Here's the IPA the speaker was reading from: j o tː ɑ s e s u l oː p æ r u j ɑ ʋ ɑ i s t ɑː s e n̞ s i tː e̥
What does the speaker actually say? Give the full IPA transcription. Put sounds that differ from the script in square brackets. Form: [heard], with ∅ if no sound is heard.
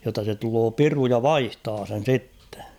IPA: j o tː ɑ s e [t] u l oː p [i] r u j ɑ ʋ ɑ i [h] t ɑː s e n̞ s i tː e̥